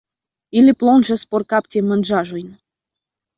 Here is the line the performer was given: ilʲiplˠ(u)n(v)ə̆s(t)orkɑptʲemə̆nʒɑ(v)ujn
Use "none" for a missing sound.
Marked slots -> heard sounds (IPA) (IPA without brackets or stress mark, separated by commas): o, ʒ, p, ʒ